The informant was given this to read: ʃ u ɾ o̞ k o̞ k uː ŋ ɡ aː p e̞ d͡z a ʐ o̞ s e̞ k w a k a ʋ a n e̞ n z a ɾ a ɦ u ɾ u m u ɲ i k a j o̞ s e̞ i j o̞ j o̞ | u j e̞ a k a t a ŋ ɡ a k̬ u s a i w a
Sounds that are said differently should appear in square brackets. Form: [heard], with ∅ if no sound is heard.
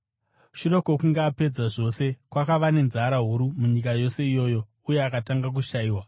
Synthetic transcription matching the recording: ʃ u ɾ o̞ k o̞ k [u] ŋ ɡ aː p e̞ d͡z a ʐ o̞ s e̞ k w a k a ʋ a n e̞ n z a ɾ a ɦ u ɾ u m u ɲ i k a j o̞ s e̞ i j o̞ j o̞ | u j e̞ a k a t a ŋ ɡ a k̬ u [ʃ] a [iː] w a